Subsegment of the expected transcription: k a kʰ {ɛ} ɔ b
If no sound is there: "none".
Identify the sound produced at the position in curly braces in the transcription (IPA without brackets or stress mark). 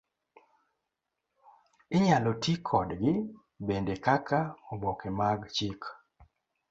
a